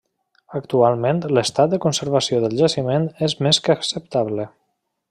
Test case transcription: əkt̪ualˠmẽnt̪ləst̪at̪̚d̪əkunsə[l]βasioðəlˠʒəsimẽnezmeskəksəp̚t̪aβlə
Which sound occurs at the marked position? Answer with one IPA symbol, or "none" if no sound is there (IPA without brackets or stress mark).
ɾ